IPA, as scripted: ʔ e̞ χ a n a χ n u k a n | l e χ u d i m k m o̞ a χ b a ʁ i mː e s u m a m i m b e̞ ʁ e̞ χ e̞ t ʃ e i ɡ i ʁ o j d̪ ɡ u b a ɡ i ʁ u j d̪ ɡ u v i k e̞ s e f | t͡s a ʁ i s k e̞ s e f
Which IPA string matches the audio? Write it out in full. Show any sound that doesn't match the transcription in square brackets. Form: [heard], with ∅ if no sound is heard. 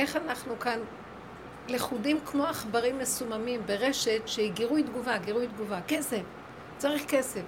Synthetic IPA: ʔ e̞ χ a n a χ n u k a n | l e χ u d i m k m o̞ a χ b a ʁ i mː e s u m a m i m b e̞ ʁ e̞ [ʃ] e̞ t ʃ e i ɡ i ʁ [u] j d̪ ɡ u [v] a ɡ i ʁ u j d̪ ɡ u v [a] k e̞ s e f | t͡s a ʁ i [χ] k e̞ s e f